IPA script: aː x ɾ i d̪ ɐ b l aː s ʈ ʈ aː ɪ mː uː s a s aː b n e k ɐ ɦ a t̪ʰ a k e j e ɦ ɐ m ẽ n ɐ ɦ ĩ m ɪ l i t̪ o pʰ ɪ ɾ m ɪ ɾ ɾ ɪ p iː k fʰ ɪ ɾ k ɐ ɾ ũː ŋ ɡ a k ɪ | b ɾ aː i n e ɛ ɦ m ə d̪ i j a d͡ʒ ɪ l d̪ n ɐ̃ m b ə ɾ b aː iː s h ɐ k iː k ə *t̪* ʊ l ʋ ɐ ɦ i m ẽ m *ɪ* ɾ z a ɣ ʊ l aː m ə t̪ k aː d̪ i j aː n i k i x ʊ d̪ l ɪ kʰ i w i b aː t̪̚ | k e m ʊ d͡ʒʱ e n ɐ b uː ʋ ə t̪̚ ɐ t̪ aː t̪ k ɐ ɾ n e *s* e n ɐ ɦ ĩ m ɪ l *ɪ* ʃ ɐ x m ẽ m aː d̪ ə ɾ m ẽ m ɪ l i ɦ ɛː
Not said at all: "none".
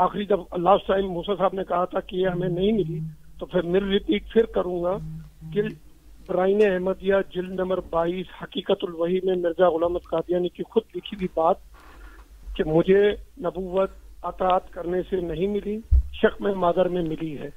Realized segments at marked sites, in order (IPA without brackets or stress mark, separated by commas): t̪, ɪ, s, i